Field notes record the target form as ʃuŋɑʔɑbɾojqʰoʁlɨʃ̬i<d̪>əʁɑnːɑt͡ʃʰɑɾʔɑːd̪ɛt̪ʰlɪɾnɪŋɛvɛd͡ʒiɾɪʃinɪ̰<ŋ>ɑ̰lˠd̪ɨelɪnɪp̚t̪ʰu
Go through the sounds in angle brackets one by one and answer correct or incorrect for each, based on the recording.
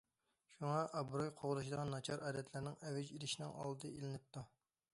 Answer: correct, correct

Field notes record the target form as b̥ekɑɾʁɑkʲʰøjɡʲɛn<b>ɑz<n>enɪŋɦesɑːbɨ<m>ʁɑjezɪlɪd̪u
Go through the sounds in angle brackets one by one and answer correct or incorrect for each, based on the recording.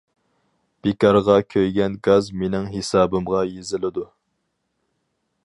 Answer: incorrect, incorrect, correct

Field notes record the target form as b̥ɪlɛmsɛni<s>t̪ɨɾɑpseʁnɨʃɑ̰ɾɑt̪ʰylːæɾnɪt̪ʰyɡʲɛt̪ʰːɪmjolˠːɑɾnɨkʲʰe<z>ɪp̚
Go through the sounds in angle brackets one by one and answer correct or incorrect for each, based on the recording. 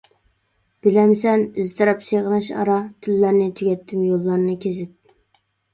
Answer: incorrect, correct

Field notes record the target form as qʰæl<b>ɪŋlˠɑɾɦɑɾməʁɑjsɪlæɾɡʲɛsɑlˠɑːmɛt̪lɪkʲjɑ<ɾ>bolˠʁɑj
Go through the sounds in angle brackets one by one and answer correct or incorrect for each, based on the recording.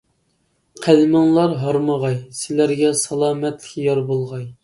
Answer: incorrect, correct

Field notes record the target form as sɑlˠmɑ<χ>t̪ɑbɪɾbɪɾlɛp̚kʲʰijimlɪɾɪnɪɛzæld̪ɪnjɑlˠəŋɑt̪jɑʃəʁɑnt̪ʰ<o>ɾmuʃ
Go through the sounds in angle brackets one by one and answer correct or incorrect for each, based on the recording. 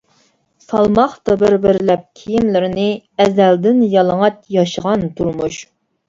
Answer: correct, incorrect

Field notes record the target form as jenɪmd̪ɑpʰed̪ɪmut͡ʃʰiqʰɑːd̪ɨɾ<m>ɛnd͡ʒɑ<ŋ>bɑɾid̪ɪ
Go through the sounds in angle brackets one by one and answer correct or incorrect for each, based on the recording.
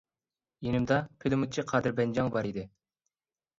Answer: incorrect, correct

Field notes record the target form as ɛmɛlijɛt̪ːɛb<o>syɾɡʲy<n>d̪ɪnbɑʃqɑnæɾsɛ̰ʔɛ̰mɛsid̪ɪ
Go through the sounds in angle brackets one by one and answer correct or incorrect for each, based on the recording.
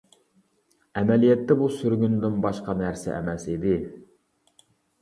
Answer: incorrect, correct

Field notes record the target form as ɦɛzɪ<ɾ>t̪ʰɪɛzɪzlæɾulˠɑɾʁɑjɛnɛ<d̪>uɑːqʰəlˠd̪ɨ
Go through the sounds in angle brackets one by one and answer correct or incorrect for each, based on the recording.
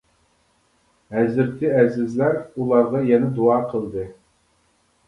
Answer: correct, correct

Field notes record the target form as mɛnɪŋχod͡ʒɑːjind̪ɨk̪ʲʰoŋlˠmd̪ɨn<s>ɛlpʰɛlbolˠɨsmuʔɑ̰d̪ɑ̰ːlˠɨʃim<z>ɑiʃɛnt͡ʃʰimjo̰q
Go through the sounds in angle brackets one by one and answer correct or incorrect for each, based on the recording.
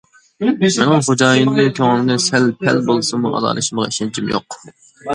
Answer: correct, incorrect

